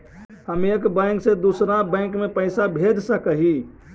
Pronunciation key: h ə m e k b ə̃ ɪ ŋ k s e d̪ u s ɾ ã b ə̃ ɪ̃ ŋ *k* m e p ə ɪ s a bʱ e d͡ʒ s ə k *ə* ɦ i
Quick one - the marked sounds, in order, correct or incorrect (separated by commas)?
correct, correct